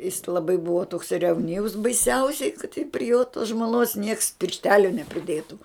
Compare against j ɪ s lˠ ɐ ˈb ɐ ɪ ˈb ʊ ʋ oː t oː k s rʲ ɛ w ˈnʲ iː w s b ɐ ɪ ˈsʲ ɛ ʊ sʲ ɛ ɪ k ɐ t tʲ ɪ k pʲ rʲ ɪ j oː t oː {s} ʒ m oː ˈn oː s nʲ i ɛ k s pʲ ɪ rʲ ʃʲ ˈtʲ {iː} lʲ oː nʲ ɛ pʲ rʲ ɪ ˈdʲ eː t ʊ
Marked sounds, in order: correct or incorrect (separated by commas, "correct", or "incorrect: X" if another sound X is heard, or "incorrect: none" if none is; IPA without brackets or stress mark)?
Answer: correct, incorrect: æː